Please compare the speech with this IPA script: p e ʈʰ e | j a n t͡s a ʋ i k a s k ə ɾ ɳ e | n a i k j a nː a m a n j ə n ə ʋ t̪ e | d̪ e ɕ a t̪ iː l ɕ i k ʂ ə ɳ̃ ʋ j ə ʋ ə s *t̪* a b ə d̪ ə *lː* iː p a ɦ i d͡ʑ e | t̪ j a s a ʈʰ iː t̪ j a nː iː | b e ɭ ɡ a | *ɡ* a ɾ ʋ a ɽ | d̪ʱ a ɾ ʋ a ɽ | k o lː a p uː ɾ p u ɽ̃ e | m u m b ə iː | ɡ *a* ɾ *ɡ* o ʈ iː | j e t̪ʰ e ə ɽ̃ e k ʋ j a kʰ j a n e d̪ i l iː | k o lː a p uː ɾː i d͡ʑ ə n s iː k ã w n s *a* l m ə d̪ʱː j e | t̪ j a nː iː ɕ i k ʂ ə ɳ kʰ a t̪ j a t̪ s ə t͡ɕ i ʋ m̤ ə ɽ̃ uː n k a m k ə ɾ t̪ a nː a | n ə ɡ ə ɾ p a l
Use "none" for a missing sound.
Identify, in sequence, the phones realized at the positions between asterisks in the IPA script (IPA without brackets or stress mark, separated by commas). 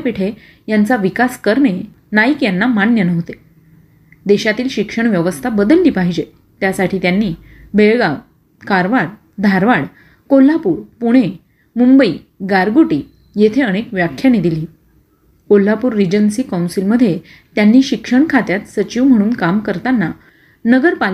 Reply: t̪ʰ, lː, k, a, ɡ, i